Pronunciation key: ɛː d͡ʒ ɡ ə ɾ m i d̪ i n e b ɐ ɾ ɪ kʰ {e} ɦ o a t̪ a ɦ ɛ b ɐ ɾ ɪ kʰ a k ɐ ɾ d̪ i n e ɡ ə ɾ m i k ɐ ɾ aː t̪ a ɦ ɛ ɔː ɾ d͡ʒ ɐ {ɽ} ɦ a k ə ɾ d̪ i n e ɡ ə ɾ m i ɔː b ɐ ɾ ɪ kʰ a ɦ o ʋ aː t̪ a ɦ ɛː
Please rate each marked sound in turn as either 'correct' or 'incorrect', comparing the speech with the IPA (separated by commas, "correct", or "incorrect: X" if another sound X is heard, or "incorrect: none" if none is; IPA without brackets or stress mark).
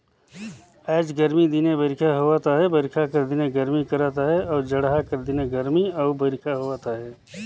incorrect: a, correct